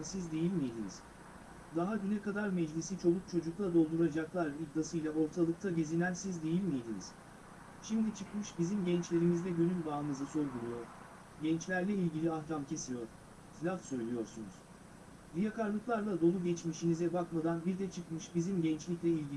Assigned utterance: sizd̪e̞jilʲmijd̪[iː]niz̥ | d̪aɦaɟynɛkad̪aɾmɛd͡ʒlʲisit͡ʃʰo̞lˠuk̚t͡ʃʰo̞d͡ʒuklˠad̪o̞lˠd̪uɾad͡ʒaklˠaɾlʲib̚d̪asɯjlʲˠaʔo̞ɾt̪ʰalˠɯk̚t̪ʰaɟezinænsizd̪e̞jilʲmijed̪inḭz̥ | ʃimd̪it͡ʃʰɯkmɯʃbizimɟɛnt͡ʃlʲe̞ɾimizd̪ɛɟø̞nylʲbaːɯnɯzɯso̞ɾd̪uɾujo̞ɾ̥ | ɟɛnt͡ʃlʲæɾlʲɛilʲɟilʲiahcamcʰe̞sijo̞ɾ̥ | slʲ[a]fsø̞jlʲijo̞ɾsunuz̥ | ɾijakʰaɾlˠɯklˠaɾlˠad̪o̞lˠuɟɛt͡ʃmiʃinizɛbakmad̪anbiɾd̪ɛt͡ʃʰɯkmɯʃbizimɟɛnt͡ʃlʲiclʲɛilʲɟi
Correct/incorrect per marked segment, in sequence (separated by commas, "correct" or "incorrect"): incorrect, correct